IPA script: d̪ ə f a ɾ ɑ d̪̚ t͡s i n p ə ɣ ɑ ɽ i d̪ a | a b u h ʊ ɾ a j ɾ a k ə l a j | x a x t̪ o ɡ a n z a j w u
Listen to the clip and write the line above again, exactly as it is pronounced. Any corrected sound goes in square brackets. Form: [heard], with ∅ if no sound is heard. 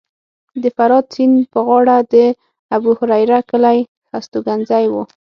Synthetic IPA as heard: d̪ ə f a ɾ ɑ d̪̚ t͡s i n p ə ɣ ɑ ɽ [a] d̪ [ə] | a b u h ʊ ɾ a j ɾ a k ə l a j | x a [s] t̪ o ɡ a n z a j w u